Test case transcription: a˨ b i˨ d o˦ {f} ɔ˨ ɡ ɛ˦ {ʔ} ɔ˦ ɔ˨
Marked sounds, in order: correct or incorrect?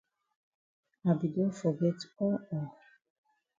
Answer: correct, incorrect: t

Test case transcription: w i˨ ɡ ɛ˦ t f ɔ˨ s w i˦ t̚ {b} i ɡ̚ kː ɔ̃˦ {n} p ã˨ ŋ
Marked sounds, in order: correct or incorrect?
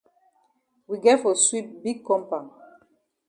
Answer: correct, incorrect: m

